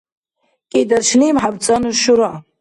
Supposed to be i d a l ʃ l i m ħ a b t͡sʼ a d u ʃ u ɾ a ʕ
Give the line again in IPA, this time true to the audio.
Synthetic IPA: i d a r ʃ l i m ħ a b t͡sʼ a n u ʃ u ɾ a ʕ